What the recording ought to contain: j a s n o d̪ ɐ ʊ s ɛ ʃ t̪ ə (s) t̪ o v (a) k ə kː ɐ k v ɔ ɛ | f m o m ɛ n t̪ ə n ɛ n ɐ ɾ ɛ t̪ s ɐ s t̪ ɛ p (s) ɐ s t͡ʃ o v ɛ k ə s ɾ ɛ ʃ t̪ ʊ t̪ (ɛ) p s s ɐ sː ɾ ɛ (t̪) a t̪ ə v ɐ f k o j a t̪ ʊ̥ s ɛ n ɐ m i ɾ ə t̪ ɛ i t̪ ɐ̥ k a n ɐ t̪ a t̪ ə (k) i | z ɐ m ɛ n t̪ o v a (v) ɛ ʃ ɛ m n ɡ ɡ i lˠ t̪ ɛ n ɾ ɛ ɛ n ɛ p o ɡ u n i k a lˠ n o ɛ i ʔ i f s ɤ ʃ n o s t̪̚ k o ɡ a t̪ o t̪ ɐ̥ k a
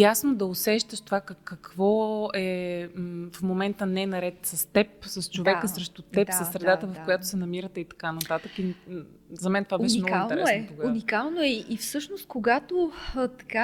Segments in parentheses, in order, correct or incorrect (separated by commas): incorrect, correct, correct, correct, incorrect, correct, incorrect